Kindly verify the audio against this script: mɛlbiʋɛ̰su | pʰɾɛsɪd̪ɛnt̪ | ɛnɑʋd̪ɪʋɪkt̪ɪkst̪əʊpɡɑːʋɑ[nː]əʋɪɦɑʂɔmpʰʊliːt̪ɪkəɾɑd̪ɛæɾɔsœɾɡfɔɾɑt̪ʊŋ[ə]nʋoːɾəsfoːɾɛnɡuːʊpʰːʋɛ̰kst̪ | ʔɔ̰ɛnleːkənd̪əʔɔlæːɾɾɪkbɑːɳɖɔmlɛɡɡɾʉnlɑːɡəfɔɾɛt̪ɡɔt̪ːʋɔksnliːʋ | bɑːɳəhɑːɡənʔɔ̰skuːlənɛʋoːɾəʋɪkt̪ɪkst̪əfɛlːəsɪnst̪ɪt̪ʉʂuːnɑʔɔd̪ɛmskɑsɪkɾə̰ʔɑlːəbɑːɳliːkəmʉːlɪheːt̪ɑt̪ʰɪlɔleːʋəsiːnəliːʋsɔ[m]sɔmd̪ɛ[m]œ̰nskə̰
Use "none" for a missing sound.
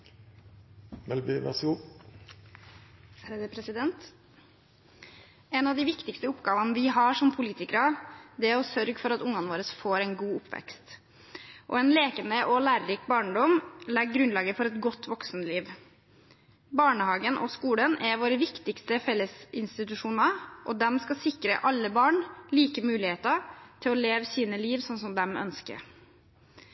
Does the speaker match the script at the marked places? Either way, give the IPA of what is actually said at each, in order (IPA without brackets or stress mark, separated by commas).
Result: n, ɑ, n, m